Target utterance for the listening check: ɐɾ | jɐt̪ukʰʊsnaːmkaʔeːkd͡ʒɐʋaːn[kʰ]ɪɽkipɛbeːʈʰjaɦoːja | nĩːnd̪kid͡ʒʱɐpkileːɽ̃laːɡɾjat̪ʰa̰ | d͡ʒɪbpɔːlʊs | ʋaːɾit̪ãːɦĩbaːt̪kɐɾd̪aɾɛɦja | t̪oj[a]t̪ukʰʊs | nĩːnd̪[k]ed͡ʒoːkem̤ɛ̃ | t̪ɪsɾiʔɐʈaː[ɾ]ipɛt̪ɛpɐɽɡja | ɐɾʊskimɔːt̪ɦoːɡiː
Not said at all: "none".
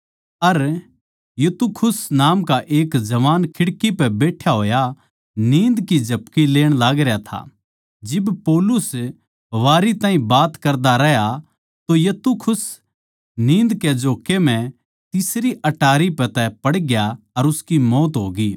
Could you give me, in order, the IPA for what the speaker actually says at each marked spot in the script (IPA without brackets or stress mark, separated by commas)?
kʰ, ɐ, k, ɾ